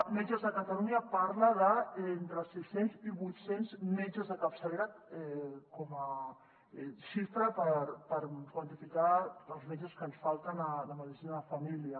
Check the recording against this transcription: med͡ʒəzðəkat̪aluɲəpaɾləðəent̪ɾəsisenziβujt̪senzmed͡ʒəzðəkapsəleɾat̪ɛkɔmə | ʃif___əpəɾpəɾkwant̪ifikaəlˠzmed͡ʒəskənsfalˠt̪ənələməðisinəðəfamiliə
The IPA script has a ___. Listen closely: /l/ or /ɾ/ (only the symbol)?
ɾ